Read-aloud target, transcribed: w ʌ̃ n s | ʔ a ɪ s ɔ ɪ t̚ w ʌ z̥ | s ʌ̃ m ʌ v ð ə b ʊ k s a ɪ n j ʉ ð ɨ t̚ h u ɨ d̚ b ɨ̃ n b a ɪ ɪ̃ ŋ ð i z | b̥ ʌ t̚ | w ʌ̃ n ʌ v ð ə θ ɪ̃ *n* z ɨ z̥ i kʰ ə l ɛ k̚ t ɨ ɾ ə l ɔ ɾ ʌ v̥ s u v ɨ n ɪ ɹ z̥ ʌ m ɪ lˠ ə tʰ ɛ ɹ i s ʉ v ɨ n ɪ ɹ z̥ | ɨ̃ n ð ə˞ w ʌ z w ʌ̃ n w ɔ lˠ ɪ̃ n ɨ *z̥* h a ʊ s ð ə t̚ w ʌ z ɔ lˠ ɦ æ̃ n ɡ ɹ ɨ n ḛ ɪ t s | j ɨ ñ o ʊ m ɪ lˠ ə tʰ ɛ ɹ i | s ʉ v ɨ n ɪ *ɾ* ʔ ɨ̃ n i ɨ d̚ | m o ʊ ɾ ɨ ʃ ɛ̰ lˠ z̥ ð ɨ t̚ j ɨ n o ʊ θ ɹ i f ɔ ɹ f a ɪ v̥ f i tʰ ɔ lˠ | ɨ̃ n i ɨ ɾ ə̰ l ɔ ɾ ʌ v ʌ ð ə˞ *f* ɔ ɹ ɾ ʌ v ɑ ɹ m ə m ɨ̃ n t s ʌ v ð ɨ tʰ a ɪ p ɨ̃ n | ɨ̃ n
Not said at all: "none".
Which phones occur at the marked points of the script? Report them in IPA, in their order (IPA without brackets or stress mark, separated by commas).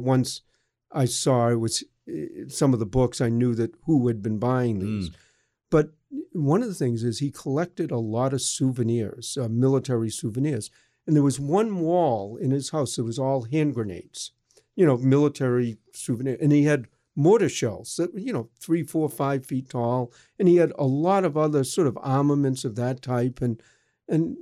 ŋ, z̥, ɹ, s